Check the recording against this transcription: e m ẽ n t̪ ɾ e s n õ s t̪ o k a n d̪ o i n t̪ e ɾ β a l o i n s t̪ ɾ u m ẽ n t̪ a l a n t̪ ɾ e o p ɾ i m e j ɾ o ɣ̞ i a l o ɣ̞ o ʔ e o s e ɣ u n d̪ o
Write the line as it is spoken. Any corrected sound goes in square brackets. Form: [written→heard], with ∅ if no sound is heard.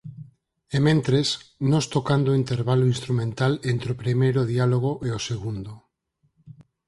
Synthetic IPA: e m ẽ n t̪ ɾ e s n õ s t̪ o k a n d̪ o i n t̪ e ɾ β a l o i n s t̪ ɾ u m ẽ n t̪ a l [a→e] n t̪ ɾ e o p ɾ i m e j ɾ o [ɣ̞→ð̞] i a l o ɣ̞ o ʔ e o s e ɣ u n d̪ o